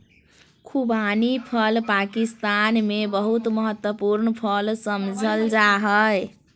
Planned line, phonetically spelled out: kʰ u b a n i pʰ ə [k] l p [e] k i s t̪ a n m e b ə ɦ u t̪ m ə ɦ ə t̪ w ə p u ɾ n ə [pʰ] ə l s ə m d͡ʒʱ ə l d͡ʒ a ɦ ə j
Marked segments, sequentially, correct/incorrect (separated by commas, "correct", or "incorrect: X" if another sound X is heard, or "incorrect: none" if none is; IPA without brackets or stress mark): incorrect: none, incorrect: a, correct